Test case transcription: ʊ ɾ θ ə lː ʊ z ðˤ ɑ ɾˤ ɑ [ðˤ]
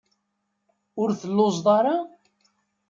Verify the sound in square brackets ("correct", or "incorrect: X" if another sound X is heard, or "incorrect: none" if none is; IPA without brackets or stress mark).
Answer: incorrect: none